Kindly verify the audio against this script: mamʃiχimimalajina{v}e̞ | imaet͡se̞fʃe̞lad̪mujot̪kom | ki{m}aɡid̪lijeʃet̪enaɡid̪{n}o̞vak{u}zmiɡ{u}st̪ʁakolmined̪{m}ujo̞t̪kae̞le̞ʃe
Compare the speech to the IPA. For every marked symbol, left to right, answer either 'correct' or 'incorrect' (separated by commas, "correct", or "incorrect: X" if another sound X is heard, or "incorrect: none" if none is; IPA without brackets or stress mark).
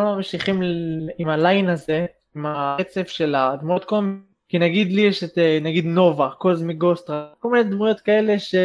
incorrect: z, incorrect: n, correct, incorrect: o, incorrect: o, correct